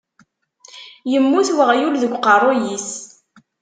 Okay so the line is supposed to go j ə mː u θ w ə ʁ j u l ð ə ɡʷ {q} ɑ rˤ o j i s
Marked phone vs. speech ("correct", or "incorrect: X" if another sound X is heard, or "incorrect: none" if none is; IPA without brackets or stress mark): correct